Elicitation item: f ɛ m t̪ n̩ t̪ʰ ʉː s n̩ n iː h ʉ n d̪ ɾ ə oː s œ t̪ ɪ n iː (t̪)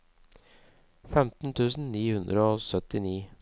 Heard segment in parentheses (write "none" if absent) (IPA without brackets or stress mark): none